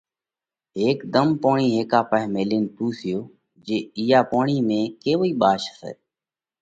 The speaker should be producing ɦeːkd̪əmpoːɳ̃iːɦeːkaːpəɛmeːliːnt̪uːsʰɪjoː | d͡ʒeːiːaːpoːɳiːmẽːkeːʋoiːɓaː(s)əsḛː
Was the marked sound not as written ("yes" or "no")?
yes